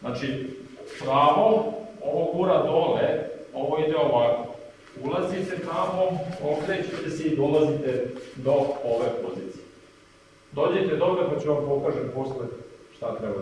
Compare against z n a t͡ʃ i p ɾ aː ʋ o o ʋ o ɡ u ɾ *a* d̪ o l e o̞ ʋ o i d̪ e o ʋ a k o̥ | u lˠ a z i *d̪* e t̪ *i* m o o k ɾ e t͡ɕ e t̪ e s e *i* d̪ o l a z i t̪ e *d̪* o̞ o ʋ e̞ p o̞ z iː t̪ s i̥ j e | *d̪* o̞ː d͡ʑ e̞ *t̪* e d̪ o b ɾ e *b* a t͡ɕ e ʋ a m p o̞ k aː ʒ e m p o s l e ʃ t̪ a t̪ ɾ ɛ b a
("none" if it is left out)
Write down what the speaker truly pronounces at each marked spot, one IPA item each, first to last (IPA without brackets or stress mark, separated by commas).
a, t̪, a, i, d̪, d̪, t̪, p